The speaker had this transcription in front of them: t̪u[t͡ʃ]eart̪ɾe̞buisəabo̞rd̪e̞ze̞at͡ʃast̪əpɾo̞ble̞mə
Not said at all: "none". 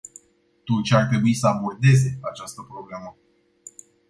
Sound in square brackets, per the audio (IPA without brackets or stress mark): t͡ʃ